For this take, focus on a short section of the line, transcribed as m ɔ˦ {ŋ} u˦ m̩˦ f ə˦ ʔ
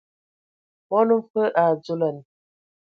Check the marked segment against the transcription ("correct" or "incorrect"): incorrect